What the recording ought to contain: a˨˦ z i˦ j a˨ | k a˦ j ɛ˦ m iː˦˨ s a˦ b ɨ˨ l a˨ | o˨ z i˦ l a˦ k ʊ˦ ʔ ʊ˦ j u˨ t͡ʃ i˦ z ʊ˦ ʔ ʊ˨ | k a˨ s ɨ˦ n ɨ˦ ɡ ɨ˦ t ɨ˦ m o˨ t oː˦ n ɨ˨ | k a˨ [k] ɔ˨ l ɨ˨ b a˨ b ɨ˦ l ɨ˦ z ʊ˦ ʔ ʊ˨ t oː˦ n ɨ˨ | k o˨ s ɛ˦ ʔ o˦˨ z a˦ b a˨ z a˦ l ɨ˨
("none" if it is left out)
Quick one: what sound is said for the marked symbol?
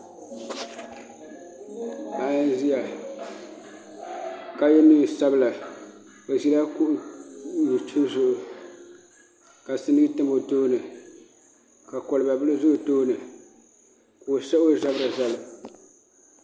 k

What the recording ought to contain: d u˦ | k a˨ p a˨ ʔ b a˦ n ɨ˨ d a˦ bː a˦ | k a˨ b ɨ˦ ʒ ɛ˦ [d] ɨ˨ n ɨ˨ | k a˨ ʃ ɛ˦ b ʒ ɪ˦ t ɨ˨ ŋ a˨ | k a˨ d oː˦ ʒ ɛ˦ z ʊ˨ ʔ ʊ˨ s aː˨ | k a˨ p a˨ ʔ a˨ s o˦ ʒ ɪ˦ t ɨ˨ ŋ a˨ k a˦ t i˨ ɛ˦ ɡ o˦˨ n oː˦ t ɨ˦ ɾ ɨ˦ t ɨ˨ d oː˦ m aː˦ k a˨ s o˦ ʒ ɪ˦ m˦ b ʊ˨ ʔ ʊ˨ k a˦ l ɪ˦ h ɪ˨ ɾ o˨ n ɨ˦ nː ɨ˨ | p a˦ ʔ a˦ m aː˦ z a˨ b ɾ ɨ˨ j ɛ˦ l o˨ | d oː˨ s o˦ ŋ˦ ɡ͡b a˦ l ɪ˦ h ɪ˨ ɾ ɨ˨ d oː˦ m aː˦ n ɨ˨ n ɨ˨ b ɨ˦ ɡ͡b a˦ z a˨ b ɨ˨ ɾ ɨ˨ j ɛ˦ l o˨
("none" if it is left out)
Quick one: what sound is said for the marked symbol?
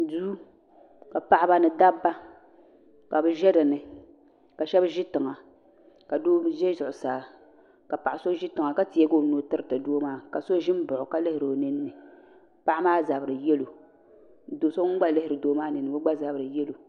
d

